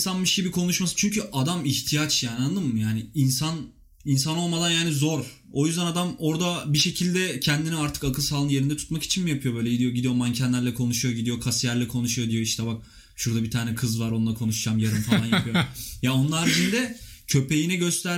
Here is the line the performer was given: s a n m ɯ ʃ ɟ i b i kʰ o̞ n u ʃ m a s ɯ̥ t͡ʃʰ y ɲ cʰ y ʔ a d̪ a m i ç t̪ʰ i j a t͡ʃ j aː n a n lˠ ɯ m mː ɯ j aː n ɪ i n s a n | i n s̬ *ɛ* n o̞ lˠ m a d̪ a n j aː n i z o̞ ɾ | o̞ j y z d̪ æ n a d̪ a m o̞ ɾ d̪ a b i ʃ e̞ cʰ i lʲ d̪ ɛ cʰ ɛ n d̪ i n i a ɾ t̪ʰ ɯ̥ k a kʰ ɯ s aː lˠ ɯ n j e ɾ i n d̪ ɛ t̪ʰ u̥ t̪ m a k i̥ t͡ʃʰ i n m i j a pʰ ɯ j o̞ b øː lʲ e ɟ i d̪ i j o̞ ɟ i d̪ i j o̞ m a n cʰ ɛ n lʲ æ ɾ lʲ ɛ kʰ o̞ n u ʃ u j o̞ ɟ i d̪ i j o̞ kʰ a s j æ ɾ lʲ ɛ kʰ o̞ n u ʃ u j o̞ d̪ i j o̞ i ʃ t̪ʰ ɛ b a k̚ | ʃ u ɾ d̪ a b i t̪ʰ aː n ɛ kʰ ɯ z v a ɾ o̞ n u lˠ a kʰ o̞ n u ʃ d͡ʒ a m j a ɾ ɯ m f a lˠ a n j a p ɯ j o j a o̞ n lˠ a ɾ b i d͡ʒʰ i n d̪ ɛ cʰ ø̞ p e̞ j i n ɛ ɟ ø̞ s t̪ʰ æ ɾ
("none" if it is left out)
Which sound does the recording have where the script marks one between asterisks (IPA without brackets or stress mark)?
a